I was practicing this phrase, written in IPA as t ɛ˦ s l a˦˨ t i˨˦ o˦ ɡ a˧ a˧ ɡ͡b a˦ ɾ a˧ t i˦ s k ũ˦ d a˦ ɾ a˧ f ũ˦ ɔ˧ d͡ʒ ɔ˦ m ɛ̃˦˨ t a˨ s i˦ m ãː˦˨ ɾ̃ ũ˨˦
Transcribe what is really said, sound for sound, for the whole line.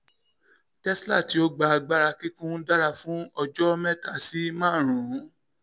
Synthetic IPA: t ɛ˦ s l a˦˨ t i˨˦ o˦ ɡ͡b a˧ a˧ ɡ͡b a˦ ɾ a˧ k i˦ k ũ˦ d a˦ ɾ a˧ f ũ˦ ɔ˧ d͡ʒ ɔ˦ m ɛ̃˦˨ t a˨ s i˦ m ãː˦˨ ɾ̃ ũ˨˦